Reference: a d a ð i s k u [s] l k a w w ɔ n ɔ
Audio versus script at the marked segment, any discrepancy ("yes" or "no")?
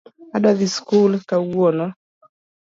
yes